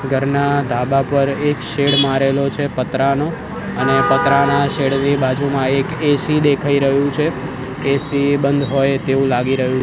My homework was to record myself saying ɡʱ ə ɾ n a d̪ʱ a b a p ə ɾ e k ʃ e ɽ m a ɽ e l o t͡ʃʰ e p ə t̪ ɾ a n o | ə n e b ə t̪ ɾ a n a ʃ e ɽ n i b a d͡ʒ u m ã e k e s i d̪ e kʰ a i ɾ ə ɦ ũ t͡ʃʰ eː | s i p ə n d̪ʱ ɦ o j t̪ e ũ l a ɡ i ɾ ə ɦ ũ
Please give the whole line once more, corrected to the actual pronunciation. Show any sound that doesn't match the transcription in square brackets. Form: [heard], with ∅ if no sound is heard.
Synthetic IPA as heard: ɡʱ ə ɾ n a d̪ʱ a b a p ə ɾ e k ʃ e ɽ m a [ɾ] e l o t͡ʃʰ e p ə t̪ ɾ a n o | ə n e [p] ə t̪ ɾ a n a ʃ e ɽ n i b a d͡ʒ u m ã e k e s i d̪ e kʰ a i ɾ ə ɦ ũ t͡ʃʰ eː | s i [b] ə n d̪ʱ ɦ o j t̪ e ũ l a ɡ i ɾ ə ɦ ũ